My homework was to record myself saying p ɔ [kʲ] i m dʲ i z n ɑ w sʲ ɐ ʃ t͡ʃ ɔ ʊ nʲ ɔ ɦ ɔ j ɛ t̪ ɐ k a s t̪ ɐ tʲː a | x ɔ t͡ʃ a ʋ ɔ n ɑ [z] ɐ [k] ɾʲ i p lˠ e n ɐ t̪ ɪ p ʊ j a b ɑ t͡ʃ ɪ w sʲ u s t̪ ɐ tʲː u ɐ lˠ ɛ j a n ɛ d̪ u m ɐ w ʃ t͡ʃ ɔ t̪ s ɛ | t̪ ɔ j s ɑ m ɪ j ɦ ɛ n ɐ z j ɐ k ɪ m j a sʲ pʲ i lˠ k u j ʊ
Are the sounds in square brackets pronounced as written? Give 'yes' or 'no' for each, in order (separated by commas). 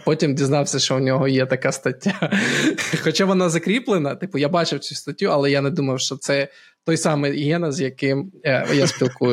no, yes, yes